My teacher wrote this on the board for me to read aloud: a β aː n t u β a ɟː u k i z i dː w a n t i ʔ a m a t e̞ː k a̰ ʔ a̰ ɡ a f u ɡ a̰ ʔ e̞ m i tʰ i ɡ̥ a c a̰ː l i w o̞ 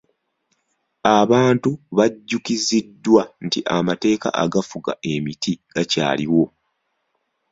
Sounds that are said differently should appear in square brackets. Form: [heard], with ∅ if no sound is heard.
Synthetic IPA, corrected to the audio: a β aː n t u β a ɟː u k i z i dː w a n t i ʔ a m a t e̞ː k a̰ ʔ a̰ ɡ a f u ɡ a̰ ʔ e̞ m i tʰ i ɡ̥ a c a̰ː l i w o̞